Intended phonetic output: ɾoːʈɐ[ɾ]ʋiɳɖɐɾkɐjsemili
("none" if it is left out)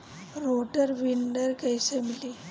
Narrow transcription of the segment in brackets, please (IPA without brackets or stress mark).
ɾ